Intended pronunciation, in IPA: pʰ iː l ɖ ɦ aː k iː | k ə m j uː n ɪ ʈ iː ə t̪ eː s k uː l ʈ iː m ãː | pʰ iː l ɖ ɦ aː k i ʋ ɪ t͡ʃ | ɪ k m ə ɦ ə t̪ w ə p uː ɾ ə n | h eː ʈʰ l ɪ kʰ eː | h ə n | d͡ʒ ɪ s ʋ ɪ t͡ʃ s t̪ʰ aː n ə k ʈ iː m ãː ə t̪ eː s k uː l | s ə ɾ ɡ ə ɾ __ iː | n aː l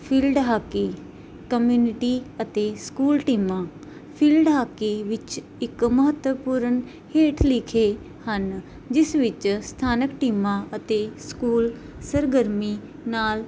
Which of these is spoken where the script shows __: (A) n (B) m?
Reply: B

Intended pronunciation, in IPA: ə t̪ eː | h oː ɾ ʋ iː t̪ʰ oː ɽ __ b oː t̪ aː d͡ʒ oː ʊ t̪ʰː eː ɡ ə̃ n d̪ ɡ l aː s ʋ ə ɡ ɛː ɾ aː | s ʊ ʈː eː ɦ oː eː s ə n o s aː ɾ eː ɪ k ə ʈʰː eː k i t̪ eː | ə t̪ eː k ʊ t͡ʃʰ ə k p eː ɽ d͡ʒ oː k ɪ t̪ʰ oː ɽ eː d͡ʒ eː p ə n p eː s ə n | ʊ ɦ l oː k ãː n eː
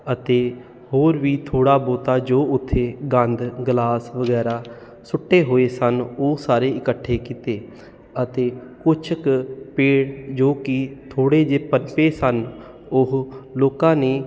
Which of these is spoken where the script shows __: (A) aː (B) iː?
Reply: A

